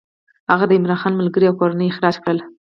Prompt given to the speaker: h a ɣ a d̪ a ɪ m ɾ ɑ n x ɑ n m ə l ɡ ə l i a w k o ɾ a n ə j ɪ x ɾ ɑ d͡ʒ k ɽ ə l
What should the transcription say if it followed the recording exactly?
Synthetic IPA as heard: h a ɣ a d̪ ə ɪ m ɾ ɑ n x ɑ n m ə l ɡ ə ɾ i a w k o ɾ a n ə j ɪ x ɾ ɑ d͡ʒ k ɽ ə l